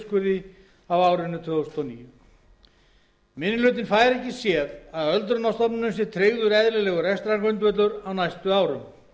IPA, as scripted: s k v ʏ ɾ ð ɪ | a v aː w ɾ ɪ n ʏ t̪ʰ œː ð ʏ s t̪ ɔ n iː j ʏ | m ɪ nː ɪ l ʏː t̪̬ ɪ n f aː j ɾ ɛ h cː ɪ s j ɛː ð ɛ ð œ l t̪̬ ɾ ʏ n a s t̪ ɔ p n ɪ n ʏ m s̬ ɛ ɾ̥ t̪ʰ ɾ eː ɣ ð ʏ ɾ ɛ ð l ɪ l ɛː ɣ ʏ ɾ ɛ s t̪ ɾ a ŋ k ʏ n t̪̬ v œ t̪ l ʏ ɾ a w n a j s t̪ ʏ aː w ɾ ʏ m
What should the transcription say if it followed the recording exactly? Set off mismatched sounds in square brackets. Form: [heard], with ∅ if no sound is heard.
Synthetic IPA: s k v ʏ ɾ ð ɪ | a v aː w ɾ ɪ n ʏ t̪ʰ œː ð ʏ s t̪ ɔ n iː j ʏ | m ɪ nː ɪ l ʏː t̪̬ ɪ n f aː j ɾ ɛ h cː ɪ s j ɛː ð [a] ð œ l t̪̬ ɾ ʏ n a s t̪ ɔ p n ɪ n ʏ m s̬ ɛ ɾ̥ t̪ʰ ɾ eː ɣ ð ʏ ɾ ɛ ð l ɪ l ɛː ɣ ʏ ɾ ɛ s t̪ ɾ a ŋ k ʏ n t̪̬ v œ t̪ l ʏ ɾ a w n a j s t̪ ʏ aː w ɾ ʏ m